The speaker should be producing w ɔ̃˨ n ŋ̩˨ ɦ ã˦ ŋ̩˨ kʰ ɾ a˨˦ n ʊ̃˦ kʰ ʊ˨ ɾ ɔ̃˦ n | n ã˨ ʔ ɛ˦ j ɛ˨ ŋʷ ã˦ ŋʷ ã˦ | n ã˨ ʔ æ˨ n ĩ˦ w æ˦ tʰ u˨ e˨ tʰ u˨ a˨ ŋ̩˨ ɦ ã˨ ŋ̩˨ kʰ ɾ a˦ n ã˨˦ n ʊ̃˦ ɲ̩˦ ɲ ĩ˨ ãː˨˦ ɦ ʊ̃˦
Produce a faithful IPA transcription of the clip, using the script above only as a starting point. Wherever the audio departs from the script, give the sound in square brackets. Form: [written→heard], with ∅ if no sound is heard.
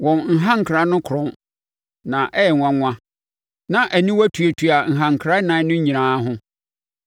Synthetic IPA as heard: w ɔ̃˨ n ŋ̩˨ ɦ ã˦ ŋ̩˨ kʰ ɾ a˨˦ n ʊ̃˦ kʰ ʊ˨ ɾ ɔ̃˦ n | n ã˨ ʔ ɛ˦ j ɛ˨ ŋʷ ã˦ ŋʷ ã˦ | n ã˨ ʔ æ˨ n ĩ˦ w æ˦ tʰ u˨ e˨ tʰ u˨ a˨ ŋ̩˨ ɦ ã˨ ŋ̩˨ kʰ ɾ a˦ n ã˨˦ n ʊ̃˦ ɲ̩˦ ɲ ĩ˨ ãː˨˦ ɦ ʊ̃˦